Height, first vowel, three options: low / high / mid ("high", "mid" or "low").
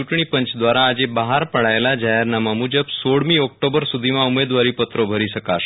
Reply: high